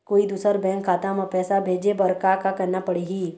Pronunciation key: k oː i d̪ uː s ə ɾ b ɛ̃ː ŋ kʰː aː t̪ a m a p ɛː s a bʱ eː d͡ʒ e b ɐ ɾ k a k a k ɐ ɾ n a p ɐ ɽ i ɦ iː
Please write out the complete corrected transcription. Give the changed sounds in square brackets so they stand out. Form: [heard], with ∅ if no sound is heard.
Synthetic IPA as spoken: k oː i d̪ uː s ə ɾ b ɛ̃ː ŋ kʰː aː t̪ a m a p ɛː s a bʱ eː d͡ʒ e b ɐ ɾ k a k a k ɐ ɾ n a p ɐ ɽ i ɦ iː